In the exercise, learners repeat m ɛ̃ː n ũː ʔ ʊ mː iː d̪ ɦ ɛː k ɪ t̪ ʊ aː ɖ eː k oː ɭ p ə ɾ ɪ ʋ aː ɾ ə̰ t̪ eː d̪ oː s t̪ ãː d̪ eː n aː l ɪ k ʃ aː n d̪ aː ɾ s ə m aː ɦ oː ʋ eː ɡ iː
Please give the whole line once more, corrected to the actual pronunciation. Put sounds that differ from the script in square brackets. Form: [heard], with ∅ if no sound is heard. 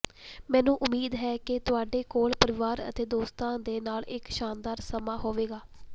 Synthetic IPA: m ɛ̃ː n ũː ʔ ʊ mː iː d̪ ɦ ɛː k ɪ t̪ ʊ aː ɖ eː k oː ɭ p ə ɾ ɪ ʋ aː ɾ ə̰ t̪ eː d̪ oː s t̪ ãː d̪ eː n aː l ɪ k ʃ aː n d̪ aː ɾ s ə m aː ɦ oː ʋ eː ɡ [aː]